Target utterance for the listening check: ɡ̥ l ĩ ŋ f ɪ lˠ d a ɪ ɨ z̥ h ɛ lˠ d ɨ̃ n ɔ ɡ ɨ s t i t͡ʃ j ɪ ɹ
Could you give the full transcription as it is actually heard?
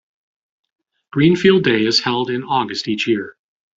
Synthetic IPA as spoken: ɡ̥ ɹ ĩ n f i lˠ d e ɪ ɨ z̥ h ɛ lˠ d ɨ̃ n ɔ ɡ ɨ s t i t͡ʃ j ɪ ɹ